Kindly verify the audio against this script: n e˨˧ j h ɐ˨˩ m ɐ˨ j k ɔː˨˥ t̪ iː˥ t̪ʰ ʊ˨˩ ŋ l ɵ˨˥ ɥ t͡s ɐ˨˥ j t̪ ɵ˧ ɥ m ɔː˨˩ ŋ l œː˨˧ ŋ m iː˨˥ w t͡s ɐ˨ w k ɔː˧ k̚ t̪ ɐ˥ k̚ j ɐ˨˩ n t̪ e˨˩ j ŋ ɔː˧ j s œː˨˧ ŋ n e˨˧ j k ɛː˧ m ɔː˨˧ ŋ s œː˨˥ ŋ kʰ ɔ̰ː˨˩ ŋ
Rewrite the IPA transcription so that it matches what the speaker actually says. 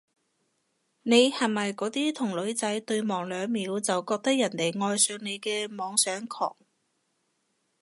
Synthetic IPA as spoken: n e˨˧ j h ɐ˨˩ m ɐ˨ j k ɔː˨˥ t̪ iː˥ t̪ʰ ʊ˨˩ ŋ l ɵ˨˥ ɥ t͡s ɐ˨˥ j t̪ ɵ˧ ɥ m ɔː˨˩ ŋ l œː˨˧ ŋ m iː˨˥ w t͡s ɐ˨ w k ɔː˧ k̚ t̪ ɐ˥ k̚ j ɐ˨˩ n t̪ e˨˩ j ŋ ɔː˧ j s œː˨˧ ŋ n e˨˧ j k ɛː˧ m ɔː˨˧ ŋ s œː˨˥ ŋ kʰ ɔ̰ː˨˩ ŋ

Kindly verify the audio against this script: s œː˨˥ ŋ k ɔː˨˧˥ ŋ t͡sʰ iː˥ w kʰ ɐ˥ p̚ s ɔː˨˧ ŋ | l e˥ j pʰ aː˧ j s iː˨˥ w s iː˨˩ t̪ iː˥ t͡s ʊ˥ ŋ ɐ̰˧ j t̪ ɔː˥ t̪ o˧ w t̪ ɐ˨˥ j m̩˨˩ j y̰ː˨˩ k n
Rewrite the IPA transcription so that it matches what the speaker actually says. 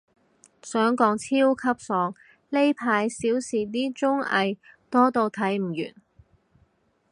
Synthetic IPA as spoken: s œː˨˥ ŋ k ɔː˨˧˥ ŋ t͡sʰ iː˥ w kʰ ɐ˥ p̚ s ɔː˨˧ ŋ | l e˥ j pʰ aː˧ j s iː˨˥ w s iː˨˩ t̪ iː˥ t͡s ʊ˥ ŋ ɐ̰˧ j t̪ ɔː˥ t̪ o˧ w t̪ʰ ɐ˨˥ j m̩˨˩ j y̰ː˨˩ n

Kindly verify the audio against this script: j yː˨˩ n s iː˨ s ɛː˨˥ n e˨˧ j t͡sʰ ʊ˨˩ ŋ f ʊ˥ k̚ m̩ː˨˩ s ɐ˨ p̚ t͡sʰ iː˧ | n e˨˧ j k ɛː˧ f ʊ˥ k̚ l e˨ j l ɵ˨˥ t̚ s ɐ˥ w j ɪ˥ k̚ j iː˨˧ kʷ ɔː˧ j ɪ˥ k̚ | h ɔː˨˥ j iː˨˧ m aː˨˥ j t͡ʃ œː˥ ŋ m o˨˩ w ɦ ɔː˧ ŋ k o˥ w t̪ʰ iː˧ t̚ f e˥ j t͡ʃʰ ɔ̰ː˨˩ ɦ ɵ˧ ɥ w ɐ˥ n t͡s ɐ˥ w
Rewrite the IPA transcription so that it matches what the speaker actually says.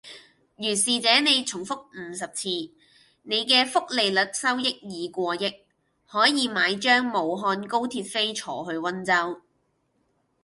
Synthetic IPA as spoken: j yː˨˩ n s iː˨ t͡s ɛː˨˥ n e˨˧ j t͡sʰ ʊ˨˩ ŋ f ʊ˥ k̚ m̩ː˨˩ s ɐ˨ p̚ t͡sʰ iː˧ | n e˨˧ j k ɛː˧ f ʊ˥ k̚ l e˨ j l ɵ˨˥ t̚ s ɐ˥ w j ɪ˥ k̚ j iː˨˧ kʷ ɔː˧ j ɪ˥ k̚ | h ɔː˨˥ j iː˨˧ m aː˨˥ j t͡ʃ œː˥ ŋ m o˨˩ w ɦ ɔː˧ n k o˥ w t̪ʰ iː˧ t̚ f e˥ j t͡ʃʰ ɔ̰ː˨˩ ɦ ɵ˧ ɥ w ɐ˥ n t͡s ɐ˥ w

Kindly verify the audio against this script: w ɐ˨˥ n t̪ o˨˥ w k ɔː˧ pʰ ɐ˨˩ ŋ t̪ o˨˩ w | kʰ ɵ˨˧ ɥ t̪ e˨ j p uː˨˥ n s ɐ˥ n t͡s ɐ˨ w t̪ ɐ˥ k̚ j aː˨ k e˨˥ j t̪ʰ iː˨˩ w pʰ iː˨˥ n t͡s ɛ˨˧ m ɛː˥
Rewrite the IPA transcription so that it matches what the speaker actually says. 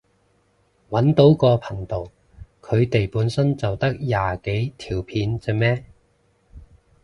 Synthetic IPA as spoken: w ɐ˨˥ n t̪ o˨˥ w k ɔː˧ pʰ ɐ˨˩ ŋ t̪ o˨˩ w | kʰ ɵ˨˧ ɥ t̪ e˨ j p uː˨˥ n s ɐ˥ n t͡s ɐ˨ w t̪ ɐ˥ k̚ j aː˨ k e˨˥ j t̪ʰ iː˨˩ w pʰ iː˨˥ n t͡s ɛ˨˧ m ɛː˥

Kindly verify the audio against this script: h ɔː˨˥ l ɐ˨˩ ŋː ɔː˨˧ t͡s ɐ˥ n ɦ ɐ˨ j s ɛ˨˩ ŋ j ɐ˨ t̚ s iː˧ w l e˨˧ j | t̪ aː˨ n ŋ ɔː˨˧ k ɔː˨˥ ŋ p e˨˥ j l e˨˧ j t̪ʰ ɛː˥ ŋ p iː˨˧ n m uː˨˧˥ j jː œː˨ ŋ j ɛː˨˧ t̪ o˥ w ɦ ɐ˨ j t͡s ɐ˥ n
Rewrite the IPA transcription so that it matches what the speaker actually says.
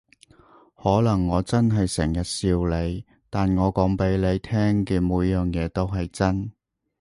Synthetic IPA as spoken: h ɔː˨˥ l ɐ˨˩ ŋː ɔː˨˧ t͡s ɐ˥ n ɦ ɐ˨ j s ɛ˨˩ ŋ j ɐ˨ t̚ s iː˧ w l e˨˧ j | t̪ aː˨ n ŋ ɔː˨˧ k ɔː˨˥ ŋ p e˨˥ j l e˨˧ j t̪ʰ ɛː˥ ŋ k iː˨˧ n m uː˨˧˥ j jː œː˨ ŋ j ɛː˨˧ t̪ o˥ w ɦ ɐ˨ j t͡s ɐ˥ n

